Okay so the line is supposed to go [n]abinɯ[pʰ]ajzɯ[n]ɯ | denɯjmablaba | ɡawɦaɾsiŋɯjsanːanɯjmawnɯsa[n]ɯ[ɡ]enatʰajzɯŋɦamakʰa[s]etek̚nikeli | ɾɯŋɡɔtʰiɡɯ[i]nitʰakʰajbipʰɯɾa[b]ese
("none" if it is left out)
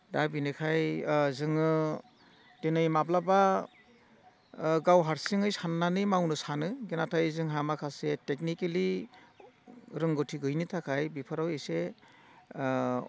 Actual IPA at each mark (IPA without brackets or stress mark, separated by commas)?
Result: d, kʰ, ŋ, n, ɡ, s, j, w